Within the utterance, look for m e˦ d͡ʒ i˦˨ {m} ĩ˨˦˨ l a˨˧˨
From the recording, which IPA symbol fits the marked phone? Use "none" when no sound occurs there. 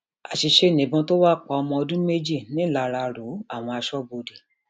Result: n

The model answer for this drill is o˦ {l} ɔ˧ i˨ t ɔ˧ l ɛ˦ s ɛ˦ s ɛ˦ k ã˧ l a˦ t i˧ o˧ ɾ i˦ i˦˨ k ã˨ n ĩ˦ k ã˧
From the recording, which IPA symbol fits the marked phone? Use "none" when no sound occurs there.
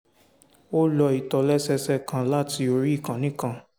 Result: l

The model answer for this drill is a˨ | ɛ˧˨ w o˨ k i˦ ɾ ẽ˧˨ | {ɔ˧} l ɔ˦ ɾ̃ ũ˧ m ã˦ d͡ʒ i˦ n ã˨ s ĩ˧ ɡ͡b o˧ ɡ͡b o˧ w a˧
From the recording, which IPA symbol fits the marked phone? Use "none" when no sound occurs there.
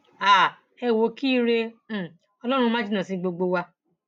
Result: ɔ˧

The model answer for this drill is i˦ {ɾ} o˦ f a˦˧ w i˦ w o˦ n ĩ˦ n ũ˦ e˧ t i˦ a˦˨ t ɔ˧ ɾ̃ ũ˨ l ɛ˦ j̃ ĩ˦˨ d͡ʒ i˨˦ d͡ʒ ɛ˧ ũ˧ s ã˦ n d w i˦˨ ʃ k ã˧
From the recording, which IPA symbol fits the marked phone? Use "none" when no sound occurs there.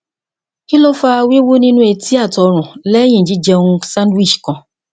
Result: l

